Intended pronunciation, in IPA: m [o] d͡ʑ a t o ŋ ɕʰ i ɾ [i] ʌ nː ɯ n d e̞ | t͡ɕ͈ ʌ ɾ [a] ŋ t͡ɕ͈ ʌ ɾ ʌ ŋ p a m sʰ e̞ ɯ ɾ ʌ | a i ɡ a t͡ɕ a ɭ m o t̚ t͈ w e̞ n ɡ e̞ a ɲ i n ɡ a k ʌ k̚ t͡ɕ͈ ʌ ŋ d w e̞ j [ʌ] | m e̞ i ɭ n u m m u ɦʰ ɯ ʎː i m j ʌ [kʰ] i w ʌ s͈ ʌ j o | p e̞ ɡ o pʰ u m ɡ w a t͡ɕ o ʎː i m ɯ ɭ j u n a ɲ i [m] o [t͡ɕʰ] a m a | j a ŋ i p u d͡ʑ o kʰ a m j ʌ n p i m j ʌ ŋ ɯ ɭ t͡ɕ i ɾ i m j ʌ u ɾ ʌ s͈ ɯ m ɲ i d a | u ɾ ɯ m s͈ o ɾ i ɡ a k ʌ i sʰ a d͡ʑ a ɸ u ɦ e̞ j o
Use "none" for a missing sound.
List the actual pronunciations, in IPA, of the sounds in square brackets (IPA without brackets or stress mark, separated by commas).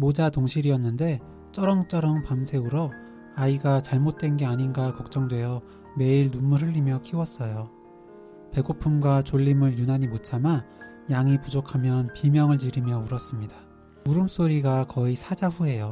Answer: o, i, ʌ, ʌ, kʰ, m, t͡ɕʰ